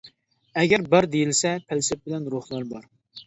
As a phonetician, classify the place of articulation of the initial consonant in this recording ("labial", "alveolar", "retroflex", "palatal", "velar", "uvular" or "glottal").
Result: velar